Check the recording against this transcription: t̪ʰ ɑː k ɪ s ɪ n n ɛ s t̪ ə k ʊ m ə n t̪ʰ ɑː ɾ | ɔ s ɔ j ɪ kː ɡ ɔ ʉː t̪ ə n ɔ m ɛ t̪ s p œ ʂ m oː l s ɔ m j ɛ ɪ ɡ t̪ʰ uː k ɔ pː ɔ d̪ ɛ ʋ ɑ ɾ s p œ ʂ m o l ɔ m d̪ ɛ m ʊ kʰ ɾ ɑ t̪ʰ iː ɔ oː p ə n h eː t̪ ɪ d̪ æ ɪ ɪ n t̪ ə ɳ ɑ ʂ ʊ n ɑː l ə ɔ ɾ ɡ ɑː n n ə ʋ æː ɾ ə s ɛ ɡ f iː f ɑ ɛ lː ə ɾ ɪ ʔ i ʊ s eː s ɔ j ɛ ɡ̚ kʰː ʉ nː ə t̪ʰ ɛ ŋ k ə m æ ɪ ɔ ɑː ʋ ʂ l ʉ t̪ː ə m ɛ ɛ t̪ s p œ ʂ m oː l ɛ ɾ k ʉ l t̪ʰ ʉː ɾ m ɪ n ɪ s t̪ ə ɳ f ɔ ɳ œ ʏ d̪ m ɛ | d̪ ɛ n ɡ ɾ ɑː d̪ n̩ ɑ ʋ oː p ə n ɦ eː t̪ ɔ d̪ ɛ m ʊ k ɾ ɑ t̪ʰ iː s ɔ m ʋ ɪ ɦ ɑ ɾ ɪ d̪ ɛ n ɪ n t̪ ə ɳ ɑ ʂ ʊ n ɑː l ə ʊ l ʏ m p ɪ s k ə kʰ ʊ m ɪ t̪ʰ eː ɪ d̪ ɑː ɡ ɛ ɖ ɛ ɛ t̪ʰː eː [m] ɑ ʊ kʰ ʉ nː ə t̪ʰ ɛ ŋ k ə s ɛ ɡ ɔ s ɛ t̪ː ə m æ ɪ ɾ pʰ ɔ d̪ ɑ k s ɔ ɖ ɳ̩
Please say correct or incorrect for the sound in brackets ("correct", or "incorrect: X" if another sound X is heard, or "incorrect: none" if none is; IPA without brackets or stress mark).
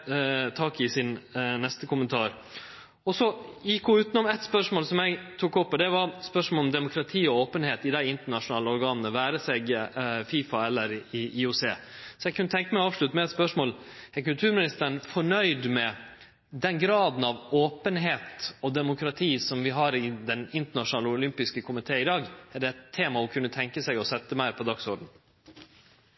correct